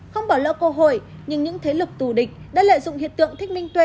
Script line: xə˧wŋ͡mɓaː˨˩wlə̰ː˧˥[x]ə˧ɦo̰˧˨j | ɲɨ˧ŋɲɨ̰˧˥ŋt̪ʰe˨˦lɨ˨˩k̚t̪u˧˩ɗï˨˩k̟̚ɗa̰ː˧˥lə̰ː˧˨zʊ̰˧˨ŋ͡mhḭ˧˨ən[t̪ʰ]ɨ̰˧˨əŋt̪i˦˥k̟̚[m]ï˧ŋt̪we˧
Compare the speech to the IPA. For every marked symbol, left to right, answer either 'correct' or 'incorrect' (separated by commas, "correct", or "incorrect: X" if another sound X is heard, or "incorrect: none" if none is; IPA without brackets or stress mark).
incorrect: k, incorrect: t̪, correct